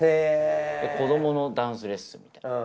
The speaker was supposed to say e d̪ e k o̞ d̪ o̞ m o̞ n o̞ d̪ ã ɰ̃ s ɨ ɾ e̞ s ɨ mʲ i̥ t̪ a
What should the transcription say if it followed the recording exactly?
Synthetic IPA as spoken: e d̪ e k o̞ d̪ o̞ m o̞ n o̞ d̪ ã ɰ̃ s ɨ ɾ e̞ s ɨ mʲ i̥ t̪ a